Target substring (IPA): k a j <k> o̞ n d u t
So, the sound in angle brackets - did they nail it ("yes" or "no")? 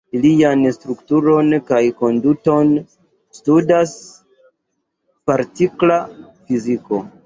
yes